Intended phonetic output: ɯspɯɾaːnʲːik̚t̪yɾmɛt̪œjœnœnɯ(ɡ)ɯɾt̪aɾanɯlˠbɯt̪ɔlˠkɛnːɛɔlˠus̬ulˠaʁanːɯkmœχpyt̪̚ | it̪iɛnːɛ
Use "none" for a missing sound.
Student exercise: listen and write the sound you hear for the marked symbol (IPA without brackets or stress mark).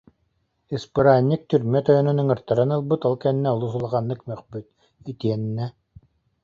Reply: ŋ